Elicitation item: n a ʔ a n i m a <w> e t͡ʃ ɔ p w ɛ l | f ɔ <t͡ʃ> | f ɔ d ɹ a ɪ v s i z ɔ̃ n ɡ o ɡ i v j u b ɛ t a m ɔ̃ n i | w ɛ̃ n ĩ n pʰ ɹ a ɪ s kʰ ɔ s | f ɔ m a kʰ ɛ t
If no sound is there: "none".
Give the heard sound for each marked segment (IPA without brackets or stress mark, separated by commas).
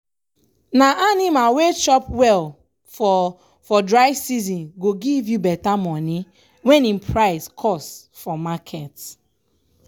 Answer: w, none